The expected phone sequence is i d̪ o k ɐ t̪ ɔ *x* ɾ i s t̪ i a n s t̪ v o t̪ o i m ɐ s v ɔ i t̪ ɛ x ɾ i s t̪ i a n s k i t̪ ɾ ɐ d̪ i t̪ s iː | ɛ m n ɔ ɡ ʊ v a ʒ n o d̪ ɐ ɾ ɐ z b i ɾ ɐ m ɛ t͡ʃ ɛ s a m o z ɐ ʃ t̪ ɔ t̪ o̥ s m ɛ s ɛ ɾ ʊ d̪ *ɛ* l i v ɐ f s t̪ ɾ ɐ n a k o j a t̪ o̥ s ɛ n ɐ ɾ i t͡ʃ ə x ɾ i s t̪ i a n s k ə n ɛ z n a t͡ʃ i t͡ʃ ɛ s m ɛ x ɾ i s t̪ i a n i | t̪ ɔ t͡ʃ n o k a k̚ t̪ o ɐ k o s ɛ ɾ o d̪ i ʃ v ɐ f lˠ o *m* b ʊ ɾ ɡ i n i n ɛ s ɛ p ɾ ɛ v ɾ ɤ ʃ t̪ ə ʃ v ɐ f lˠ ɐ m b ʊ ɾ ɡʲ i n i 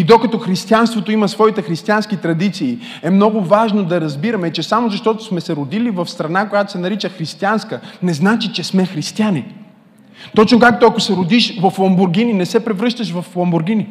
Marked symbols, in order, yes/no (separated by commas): yes, no, yes